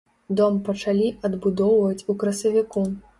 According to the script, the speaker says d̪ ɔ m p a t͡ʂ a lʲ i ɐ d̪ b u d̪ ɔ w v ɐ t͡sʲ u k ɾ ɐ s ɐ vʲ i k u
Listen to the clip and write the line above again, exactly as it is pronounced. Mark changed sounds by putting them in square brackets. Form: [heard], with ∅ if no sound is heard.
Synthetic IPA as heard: d̪ ɔ m p [ɐ] t͡ʂ a lʲ i ɐ d̪ b u d̪ ɔ w v ɐ t͡sʲ u k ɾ ɐ s ɐ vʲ i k u